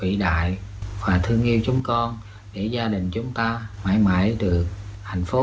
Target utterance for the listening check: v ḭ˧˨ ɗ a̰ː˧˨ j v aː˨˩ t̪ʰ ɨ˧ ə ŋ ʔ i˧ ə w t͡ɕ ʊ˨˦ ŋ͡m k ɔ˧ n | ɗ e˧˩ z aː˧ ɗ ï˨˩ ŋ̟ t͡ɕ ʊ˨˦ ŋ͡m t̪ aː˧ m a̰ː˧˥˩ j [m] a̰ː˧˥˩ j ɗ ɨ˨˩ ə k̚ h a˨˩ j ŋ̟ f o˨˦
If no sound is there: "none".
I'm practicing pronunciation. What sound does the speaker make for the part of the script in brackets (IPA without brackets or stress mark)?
m